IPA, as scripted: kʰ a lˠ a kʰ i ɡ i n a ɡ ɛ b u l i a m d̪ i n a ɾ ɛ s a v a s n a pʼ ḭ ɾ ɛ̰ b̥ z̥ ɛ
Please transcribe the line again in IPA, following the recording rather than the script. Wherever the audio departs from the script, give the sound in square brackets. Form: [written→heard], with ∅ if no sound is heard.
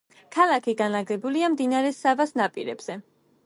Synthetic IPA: kʰ a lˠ a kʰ i ɡ [i→a] n a ɡ ɛ b u l i a m d̪ i n a ɾ ɛ s a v a s n a pʼ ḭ ɾ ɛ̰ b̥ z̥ ɛ